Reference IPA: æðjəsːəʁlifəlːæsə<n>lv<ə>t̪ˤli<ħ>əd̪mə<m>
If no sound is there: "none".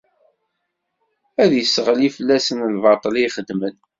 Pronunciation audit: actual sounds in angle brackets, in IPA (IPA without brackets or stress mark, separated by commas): n, ɑ, χ, n